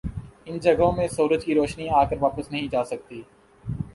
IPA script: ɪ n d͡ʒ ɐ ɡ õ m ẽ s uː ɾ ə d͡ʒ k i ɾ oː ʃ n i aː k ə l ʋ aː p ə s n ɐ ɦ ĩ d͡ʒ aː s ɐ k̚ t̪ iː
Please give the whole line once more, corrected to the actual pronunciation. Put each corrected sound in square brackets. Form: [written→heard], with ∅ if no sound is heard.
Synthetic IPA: ɪ n d͡ʒ ɐ ɡ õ m ẽ s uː ɾ ə d͡ʒ k i ɾ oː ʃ n i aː k ə [l→ɾ] ʋ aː p ə s n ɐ ɦ ĩ d͡ʒ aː s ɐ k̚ t̪ iː